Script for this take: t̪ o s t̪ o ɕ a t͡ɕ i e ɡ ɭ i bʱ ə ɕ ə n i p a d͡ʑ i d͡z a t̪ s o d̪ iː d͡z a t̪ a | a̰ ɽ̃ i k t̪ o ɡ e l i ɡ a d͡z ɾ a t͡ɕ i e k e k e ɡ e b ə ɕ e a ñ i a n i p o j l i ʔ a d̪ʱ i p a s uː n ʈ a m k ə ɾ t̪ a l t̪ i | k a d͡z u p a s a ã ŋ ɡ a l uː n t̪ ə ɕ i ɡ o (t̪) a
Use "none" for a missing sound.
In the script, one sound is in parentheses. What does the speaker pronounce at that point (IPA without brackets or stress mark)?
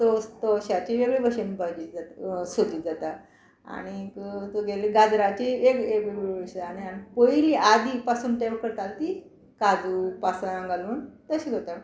t̪